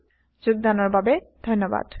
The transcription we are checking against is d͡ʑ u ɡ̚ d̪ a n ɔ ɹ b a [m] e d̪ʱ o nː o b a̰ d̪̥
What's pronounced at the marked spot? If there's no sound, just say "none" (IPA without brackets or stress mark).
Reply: b